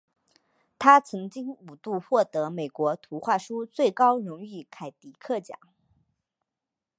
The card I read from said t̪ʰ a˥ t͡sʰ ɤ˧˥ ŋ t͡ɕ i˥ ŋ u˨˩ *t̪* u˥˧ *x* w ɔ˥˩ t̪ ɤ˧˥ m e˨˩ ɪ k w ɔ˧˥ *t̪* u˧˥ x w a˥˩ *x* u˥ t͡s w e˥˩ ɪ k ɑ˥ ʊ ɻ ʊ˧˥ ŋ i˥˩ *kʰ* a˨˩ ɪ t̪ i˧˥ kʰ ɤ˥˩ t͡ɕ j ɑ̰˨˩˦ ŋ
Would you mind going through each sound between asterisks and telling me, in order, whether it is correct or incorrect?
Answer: correct, correct, incorrect: t̪ʰ, incorrect: ʂ, correct

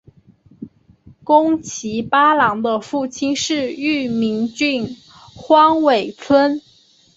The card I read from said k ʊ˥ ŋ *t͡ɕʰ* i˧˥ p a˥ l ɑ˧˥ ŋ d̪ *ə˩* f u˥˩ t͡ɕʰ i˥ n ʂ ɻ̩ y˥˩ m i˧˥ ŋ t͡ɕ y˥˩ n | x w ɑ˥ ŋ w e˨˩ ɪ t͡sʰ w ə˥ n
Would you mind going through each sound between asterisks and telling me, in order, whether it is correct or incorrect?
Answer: correct, incorrect: ə˧

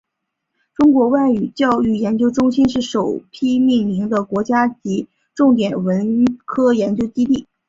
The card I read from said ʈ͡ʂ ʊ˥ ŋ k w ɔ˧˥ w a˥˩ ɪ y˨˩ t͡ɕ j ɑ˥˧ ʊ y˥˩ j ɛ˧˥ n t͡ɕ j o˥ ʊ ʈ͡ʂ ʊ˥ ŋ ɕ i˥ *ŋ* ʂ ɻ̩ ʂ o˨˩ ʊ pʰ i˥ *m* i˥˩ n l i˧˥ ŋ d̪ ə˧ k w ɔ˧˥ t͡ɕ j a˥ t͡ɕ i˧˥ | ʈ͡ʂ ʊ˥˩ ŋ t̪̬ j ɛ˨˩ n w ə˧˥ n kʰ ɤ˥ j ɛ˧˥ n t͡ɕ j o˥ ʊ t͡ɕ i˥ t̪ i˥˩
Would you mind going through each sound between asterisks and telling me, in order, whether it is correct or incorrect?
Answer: incorrect: n, correct

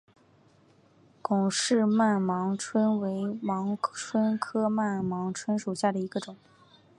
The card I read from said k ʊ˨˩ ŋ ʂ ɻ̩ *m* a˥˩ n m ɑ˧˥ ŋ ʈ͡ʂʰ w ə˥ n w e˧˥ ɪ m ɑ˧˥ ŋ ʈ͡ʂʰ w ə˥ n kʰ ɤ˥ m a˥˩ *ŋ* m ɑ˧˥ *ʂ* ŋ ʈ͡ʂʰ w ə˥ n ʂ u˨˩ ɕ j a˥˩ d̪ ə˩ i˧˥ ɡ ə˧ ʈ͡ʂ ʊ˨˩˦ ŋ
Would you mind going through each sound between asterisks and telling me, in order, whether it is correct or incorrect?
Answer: correct, incorrect: n, incorrect: none

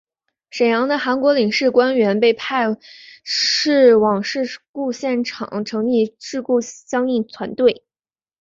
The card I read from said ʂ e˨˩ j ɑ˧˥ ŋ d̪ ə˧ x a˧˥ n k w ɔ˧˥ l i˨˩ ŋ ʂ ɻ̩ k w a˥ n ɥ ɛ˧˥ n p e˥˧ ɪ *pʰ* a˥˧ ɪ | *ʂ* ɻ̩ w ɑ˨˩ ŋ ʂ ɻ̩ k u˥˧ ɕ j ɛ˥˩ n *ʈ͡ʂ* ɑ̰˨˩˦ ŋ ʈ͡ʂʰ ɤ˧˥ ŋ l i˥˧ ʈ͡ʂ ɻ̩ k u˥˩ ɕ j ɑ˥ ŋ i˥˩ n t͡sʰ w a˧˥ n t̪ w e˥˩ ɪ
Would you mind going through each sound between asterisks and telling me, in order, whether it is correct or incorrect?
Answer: correct, correct, incorrect: ʈ͡ʂʰ

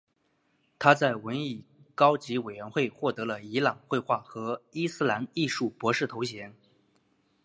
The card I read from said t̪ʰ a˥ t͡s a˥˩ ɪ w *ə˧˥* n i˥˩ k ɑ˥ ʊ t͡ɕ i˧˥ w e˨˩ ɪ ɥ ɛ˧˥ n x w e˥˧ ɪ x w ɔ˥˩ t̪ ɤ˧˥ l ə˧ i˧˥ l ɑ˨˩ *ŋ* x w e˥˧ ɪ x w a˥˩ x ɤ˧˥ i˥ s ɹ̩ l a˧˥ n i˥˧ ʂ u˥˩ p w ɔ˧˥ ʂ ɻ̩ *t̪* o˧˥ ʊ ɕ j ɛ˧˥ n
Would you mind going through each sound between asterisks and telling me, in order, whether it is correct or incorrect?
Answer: correct, correct, incorrect: t̪ʰ

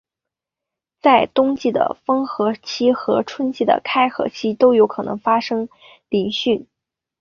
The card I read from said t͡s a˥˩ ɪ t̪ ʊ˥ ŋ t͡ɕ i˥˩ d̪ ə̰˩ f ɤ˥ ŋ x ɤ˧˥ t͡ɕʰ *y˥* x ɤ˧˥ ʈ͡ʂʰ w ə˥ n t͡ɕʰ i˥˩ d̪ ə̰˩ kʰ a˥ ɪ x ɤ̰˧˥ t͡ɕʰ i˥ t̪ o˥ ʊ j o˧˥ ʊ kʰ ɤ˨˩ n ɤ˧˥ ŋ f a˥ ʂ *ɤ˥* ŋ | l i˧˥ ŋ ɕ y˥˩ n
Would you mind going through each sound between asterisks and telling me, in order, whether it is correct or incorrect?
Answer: incorrect: i˥, correct

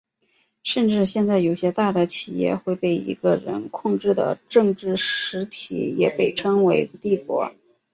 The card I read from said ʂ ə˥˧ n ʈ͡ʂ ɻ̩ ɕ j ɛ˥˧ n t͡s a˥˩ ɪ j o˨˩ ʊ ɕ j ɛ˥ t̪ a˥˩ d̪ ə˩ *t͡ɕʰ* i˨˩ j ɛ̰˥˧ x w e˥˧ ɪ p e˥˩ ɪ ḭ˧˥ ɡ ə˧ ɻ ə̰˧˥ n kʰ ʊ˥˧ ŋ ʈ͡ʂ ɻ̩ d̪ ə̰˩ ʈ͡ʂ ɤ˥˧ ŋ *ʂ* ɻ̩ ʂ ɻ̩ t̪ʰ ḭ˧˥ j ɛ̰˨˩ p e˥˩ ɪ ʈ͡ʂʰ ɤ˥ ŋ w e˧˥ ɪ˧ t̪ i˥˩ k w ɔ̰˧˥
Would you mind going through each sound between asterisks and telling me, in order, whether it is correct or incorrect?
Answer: correct, incorrect: ʈ͡ʂ

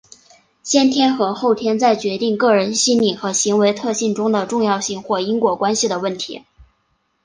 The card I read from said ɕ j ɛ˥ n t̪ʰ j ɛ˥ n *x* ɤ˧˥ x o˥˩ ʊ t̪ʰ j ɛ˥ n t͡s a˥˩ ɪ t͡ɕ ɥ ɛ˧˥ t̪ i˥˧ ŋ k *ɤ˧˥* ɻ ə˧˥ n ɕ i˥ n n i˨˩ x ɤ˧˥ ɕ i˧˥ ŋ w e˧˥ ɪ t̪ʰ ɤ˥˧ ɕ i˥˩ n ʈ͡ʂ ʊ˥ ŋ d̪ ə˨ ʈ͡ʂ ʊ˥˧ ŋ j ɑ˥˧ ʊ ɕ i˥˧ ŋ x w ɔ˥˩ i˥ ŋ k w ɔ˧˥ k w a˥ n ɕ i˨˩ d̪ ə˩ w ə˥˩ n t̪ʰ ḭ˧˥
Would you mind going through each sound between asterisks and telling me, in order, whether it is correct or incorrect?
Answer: correct, incorrect: ɤ˥˩

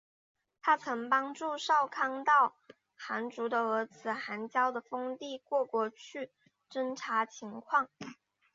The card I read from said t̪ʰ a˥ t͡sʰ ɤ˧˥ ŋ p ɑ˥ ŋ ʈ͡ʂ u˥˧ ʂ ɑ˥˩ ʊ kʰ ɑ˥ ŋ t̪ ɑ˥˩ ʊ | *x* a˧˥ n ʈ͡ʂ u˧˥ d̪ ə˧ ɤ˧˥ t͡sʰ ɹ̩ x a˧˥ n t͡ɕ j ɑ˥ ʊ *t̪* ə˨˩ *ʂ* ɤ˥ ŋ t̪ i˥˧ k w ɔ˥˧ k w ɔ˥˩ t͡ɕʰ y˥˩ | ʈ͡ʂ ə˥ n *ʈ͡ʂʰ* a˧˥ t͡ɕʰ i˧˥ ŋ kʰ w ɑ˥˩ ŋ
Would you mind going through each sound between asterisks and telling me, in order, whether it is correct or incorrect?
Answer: correct, incorrect: d̪, incorrect: f, correct

